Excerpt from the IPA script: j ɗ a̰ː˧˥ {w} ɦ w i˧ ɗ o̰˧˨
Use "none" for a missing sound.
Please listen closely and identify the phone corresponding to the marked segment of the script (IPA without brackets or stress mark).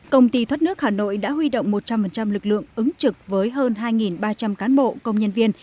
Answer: none